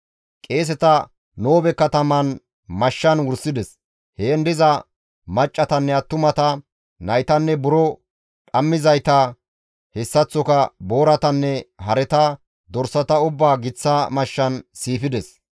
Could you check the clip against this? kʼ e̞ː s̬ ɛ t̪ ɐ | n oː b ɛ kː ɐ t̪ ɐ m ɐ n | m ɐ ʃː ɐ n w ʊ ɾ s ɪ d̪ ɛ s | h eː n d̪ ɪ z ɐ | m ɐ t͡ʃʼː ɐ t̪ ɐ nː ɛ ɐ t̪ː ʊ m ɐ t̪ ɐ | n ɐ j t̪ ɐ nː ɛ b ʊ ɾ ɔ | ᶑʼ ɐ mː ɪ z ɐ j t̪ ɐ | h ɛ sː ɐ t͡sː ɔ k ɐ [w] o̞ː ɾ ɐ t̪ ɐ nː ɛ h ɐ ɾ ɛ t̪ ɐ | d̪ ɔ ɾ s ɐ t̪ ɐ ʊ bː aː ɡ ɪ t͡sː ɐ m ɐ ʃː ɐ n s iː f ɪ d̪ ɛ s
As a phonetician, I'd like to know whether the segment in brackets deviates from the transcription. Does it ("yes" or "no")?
yes